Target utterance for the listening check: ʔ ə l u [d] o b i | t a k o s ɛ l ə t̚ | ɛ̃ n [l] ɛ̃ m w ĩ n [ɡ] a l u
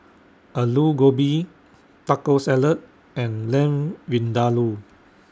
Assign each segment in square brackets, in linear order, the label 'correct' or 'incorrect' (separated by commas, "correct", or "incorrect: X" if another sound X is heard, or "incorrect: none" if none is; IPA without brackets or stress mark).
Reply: incorrect: ɡ, correct, incorrect: d